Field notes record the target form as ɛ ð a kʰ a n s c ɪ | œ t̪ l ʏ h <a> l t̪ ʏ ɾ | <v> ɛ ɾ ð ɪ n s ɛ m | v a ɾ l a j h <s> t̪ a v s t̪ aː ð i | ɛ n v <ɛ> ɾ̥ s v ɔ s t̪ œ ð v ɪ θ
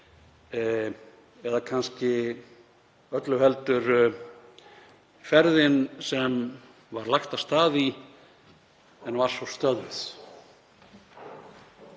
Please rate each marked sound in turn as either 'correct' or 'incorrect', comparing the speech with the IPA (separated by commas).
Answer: incorrect, incorrect, incorrect, incorrect